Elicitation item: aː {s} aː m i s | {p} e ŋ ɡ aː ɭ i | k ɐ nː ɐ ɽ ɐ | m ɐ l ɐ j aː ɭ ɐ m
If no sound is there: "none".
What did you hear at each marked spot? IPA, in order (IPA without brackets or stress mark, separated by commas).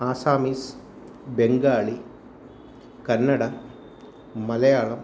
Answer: s, b